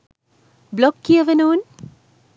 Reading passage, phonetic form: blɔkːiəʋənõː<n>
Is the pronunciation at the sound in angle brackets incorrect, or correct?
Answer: correct